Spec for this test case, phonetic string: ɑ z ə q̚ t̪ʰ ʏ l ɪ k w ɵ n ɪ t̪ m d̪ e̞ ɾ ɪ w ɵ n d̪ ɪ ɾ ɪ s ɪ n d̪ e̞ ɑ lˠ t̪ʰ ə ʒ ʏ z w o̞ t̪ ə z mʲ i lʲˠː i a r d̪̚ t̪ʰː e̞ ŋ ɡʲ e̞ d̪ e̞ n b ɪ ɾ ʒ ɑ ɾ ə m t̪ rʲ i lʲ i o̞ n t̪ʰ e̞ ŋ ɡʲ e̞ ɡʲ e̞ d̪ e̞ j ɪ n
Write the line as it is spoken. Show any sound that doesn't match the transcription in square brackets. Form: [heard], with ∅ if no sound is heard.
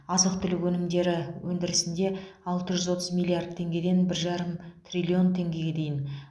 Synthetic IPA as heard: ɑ z ə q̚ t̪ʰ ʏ l ɪ k w ɵ n ɪ [∅] m d̪ e̞ ɾ ɪ w ɵ n d̪ ɪ ɾ ɪ s ɪ n d̪ e̞ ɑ lˠ [t̪] ə ʒ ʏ z w o̞ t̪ ə z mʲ i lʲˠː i a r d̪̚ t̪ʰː e̞ ŋ ɡʲ e̞ d̪ e̞ n b ɪ ɾ ʒ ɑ ɾ ə m t̪ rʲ i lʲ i o̞ n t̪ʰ e̞ ŋ ɡʲ e̞ ɡʲ e̞ d̪ e̞ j ɪ n